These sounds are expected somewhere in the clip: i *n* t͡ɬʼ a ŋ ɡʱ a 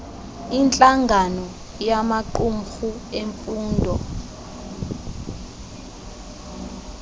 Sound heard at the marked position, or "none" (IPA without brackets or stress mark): n